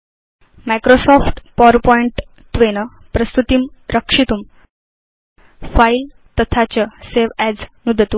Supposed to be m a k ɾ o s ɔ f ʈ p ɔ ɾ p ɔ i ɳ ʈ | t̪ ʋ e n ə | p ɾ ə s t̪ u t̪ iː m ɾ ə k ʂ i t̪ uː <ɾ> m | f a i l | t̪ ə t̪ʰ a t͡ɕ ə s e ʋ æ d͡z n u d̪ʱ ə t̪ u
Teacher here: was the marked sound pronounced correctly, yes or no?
no